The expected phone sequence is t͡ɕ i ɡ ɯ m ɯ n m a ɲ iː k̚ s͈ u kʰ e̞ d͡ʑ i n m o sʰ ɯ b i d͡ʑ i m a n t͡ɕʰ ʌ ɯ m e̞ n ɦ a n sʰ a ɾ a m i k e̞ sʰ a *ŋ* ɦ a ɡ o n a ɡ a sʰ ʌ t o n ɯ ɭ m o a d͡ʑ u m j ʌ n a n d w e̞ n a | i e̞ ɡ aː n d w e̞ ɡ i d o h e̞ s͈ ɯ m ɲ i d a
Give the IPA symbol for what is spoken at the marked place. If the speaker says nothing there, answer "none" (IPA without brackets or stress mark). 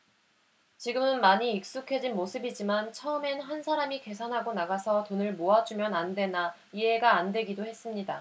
n